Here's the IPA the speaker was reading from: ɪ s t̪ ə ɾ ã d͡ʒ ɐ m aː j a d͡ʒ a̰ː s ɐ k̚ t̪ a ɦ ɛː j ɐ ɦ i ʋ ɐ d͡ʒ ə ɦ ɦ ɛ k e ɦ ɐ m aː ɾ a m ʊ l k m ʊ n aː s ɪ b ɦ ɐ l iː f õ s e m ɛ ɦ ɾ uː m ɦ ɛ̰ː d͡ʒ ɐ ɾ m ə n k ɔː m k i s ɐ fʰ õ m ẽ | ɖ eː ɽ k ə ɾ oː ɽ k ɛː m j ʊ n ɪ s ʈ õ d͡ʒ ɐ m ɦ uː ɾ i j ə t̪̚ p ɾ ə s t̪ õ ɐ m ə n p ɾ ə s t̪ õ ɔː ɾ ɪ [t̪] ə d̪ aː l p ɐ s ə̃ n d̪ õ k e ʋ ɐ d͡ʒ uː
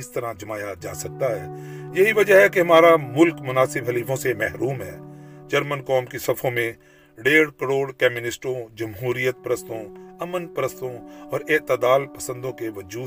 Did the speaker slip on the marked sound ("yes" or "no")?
no